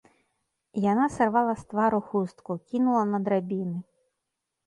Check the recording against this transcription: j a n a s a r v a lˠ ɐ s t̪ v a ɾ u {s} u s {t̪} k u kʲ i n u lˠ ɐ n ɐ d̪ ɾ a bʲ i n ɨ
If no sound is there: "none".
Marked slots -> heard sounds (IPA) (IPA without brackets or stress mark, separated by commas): x, t̪